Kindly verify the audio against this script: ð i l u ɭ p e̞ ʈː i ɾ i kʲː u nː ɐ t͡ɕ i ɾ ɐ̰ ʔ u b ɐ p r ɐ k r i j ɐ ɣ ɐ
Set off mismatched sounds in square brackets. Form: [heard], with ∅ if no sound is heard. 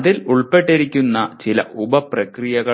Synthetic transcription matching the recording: ð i l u ɭ p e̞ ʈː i ɾ i kʲː u nː ɐ t͡ɕ i [l] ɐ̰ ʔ u b ɐ p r ɐ k r i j ɐ ɣ ɐ